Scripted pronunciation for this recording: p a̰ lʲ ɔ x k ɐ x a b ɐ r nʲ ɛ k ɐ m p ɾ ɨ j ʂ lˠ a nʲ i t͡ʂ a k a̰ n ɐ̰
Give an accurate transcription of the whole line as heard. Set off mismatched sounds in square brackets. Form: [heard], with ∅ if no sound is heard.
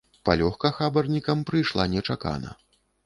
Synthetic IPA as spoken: p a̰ lʲ ɔ x k ɐ x a b ɐ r nʲ [i] k ɐ m p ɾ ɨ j ʂ lˠ a nʲ [ɛ] t͡ʂ a k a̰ n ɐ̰